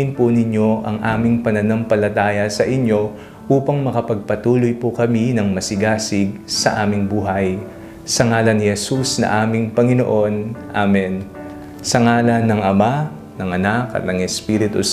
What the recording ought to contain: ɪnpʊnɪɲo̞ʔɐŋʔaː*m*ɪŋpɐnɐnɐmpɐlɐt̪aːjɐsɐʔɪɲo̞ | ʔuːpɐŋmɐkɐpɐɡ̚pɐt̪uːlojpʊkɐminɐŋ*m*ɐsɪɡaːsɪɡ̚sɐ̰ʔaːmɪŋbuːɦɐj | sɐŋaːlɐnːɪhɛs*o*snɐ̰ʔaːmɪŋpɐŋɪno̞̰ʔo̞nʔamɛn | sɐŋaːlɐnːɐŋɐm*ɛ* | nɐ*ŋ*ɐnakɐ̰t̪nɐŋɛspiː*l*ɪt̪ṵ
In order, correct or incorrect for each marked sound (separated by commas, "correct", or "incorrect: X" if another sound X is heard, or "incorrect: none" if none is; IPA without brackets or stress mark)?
correct, correct, incorrect: u, incorrect: a, correct, incorrect: ɾ